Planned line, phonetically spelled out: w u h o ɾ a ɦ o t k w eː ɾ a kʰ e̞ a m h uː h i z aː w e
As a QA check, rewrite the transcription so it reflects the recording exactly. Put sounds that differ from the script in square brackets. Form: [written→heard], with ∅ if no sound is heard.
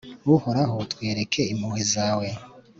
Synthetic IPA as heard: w u h o ɾ a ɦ o t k w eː ɾ [a→e] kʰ e̞ [a→i] m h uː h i z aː w e